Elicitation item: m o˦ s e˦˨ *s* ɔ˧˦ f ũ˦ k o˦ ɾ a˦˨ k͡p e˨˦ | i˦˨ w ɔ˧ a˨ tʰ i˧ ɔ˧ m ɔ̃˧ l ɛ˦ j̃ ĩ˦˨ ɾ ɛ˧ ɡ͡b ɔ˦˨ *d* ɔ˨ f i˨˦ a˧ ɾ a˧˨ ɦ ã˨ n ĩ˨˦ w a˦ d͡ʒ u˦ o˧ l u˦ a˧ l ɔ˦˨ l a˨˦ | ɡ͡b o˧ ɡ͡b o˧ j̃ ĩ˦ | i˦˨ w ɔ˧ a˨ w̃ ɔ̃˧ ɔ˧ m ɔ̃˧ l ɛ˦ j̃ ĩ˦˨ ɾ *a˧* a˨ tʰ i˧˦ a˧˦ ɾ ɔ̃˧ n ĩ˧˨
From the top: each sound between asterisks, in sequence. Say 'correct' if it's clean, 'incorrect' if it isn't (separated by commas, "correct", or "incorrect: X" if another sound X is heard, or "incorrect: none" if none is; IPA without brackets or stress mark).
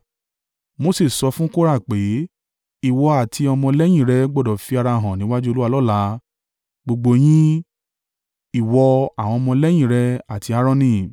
correct, correct, incorrect: ɛ˧